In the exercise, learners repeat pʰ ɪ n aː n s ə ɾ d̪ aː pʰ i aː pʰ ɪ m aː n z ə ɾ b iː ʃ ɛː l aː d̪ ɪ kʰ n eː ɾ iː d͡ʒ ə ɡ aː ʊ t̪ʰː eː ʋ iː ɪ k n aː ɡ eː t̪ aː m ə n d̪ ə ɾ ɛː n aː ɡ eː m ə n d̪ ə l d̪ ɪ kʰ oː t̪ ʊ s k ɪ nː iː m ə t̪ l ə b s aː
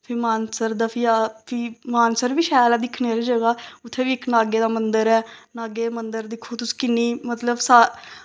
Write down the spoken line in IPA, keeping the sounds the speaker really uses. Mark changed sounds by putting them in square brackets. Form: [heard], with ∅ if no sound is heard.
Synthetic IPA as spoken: pʰ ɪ [m] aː n s ə ɾ d̪ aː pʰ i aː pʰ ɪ m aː n [s] ə ɾ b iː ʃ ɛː l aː d̪ ɪ kʰ n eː ɾ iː d͡ʒ ə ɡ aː ʊ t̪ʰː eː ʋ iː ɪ k n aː ɡ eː [d̪] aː m ə n d̪ ə ɾ ɛː n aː ɡ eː m ə n d̪ ə [ɾ] d̪ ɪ kʰ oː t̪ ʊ s k ɪ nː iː m ə t̪ l ə b s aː